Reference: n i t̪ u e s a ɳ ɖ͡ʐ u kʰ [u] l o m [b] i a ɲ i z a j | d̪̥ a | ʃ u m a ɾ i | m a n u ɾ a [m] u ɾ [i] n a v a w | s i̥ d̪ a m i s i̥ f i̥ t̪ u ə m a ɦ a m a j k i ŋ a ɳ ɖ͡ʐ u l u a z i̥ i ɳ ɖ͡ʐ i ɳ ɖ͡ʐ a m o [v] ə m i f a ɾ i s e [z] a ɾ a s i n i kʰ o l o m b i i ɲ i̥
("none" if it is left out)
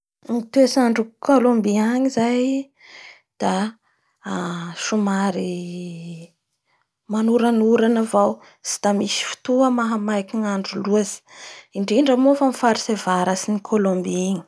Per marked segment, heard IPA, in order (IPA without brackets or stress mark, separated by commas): o, b, n, a, f, v